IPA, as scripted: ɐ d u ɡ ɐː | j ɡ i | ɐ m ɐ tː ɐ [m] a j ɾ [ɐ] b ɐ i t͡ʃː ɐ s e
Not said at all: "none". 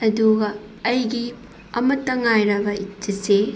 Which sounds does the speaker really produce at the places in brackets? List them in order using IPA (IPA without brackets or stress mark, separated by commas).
ŋ, ɐ